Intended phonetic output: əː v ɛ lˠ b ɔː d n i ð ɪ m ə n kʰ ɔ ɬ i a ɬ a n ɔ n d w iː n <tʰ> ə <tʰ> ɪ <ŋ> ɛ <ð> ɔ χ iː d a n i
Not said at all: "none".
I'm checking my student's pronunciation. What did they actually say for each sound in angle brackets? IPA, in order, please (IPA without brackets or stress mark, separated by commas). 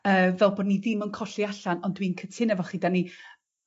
kʰ, tʰ, n, v